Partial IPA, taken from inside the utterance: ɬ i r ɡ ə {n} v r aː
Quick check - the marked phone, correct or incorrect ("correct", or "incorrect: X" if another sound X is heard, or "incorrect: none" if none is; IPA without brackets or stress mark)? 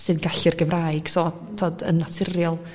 incorrect: none